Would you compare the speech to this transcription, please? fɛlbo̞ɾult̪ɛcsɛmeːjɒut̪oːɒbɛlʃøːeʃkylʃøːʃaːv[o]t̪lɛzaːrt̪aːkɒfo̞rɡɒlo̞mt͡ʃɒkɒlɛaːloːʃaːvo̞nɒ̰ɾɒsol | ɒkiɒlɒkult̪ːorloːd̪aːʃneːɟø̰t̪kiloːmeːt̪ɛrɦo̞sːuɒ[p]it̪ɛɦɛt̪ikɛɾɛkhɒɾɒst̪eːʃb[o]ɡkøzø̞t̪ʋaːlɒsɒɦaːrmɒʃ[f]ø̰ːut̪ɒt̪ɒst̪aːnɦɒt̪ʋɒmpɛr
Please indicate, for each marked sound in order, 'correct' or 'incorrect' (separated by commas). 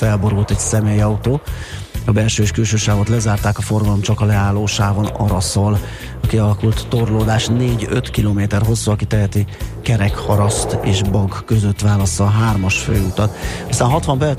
correct, incorrect, incorrect, correct